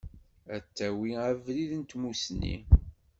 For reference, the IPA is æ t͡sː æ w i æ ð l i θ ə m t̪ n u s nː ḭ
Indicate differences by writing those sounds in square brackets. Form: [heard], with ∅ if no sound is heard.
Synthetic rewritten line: æ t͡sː æ w i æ [v] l i [ð] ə [n] t̪ [m] u s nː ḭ